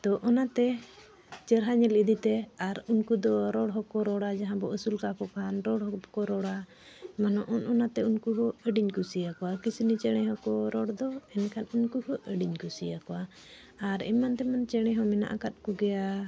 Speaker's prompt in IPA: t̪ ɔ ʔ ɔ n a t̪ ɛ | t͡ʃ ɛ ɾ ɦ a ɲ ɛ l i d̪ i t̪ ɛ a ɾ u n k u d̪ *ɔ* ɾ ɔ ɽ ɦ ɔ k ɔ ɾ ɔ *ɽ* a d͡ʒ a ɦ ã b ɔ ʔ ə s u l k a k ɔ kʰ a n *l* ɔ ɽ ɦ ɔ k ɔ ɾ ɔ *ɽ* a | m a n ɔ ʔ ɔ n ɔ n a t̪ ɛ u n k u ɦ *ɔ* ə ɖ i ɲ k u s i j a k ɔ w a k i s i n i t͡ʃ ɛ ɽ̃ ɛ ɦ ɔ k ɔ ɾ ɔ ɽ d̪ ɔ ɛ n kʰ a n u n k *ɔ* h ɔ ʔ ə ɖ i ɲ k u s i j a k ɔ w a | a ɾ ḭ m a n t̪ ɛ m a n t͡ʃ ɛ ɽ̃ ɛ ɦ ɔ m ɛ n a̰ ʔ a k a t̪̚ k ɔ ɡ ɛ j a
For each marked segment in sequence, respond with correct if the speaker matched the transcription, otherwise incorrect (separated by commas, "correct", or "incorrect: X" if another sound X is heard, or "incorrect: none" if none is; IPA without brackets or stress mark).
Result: correct, correct, incorrect: ɾ, correct, correct, incorrect: u